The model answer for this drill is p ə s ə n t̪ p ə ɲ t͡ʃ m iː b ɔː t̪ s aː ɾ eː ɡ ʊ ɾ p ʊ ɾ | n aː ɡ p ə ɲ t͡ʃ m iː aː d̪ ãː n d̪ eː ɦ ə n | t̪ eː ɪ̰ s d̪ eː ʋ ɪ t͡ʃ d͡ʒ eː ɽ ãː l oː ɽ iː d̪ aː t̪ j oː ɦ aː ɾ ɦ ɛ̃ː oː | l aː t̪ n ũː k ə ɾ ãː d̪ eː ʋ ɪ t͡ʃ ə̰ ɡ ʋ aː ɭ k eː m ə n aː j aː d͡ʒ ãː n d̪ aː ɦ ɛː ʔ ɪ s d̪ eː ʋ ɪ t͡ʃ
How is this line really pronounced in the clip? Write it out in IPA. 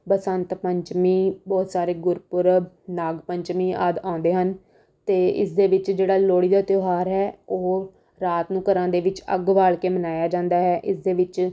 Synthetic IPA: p ə s ə n t̪ p ə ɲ t͡ʃ m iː b ɔː t̪ s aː ɾ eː ɡ ʊ ɾ p ʊ ɾ | n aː ɡ p ə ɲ t͡ʃ m iː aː d̪ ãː n d̪ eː ɦ ə n | t̪ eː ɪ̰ s d̪ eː ʋ ɪ t͡ʃ d͡ʒ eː ɽ aː l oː ɽ iː d̪ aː t̪ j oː ɦ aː ɾ ɦ ɛː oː | ɾ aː t̪ n ũː k ə ɾ ãː d̪ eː ʋ ɪ t͡ʃ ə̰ ɡ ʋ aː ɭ k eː m ə n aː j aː d͡ʒ ãː n d̪ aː ɦ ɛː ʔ ɪ s d̪ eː ʋ ɪ t͡ʃ